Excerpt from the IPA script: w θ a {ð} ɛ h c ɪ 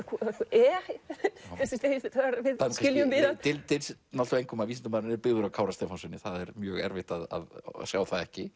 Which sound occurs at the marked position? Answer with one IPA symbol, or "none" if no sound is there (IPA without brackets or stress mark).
ð